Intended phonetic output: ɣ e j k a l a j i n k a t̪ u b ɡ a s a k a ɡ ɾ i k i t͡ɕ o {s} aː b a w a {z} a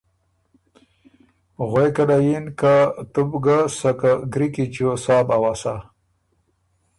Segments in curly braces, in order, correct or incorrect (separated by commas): correct, incorrect